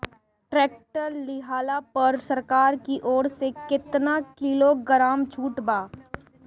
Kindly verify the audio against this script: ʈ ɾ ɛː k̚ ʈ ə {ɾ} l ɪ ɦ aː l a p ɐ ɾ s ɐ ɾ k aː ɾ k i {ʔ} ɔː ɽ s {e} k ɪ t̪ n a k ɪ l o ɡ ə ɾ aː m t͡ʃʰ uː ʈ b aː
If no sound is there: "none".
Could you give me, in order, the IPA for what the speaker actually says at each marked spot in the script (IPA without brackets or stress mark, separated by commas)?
ɾ, ʔ, e